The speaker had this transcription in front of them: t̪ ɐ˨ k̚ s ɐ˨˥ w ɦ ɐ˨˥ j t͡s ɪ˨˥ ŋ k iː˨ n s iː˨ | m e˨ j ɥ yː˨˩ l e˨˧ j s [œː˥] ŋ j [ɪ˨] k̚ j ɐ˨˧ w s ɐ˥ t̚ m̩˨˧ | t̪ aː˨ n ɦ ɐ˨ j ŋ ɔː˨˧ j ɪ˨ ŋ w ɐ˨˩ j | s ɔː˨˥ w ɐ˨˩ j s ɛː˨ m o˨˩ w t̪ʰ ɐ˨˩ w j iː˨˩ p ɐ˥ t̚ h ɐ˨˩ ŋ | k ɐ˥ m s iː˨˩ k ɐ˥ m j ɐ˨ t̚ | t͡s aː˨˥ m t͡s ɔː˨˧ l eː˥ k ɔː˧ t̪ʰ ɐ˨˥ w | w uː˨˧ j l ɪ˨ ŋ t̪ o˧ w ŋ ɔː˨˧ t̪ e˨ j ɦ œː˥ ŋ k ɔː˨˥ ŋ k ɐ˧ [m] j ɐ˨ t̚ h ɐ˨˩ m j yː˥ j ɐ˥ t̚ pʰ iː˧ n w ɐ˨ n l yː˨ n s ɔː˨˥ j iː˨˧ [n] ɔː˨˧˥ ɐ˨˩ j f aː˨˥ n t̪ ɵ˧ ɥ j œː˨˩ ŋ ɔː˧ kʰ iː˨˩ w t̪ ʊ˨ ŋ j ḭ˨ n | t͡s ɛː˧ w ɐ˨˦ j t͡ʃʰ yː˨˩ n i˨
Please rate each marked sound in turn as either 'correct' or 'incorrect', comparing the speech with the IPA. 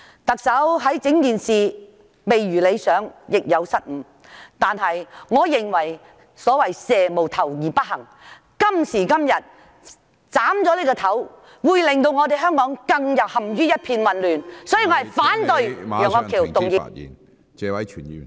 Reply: incorrect, correct, incorrect, incorrect

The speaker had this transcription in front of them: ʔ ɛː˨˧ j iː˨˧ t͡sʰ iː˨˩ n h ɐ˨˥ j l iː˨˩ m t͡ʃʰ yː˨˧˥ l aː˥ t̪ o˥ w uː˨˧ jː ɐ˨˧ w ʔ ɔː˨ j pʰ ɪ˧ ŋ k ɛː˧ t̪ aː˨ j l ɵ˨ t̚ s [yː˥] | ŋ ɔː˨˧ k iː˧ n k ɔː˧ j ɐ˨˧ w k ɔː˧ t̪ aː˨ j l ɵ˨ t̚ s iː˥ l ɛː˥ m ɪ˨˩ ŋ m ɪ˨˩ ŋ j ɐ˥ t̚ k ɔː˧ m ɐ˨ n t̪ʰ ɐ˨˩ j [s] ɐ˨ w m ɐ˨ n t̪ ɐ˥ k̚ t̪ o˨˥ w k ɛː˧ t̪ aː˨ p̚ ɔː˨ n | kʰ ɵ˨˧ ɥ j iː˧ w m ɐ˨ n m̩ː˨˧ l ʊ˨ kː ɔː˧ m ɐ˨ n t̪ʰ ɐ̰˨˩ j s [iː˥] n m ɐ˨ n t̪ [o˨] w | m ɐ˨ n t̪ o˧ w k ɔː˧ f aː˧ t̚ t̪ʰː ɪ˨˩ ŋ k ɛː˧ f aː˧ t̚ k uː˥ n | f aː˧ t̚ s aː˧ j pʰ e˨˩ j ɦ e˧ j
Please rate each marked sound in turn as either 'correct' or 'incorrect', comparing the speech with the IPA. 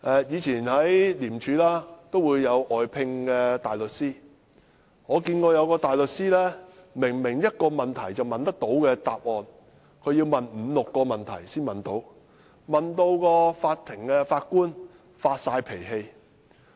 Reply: incorrect, incorrect, correct, incorrect

